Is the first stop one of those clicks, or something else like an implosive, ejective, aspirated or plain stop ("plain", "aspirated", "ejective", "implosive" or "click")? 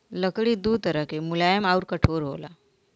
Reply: plain